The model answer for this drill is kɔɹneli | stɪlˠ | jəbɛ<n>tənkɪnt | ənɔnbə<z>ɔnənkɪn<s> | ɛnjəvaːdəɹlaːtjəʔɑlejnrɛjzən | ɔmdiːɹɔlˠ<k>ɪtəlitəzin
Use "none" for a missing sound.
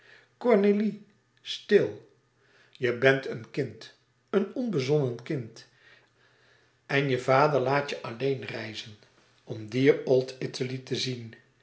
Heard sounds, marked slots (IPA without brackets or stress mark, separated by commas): n, z, t, t